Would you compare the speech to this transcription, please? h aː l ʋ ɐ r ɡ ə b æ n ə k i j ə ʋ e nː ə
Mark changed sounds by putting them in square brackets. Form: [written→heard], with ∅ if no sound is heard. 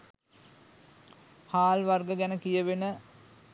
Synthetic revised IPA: h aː l ʋ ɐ r ɡ ə [b→ɡ] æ n ə k i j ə ʋ e [nː→n] ə